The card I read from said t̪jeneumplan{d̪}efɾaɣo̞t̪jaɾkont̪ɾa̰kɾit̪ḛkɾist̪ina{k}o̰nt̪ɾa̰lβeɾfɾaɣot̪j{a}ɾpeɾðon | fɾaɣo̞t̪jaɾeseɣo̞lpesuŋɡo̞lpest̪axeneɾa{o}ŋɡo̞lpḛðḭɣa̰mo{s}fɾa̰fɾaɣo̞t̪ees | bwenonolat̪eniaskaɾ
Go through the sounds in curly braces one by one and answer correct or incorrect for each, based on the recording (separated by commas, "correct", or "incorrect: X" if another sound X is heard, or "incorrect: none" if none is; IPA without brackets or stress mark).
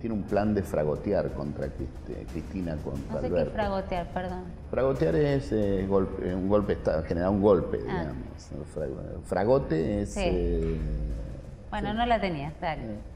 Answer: correct, correct, correct, incorrect: u, correct